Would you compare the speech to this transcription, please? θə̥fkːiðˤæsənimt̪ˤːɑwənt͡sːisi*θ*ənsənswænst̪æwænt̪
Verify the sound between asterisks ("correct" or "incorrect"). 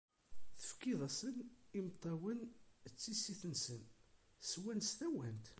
correct